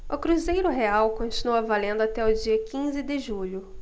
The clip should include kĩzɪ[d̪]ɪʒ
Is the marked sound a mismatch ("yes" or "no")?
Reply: no